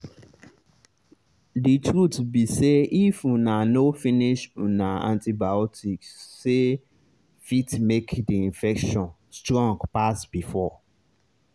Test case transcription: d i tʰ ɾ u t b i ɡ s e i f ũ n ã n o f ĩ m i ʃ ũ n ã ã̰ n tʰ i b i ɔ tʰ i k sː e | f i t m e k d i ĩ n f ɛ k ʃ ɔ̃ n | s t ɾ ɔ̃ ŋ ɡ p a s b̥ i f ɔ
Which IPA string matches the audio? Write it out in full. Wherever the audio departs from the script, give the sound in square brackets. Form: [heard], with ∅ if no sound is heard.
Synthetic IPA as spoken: d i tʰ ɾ u t b i [∅] s e i f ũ n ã n o f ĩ [n] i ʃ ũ n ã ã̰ n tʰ i b [a] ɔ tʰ i k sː e | f i t m e k d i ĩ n f ɛ k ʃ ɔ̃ n | s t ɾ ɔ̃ ŋ ɡ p a s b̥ i f ɔ